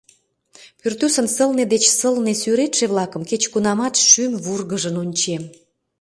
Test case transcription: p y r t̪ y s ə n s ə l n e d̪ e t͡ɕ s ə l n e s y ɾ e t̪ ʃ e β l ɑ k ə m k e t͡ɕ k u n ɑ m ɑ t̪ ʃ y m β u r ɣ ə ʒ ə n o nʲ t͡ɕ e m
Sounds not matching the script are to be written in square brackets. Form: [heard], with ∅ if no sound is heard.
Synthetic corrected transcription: p y r t̪ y s ə n s ə l n e d̪ e t͡ɕ s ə l n e s y ɾ e t̪ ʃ e β l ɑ k ə m k e t͡ɕ k u n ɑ m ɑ t̪ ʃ y m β u r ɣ ə ʒ ə n o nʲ t͡ɕ e m